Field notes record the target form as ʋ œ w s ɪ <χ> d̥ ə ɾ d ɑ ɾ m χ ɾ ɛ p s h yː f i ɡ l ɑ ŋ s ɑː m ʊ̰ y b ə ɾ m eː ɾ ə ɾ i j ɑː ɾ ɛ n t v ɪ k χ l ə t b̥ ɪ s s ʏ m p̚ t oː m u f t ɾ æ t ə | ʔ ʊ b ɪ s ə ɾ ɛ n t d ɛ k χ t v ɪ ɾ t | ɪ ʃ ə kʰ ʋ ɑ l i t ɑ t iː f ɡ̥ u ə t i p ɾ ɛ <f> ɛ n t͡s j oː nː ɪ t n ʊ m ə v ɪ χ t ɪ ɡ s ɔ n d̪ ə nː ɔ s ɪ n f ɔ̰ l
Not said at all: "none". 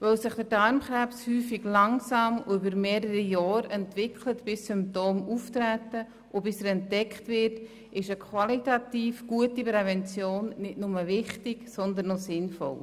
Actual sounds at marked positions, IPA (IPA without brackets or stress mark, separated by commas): χ, v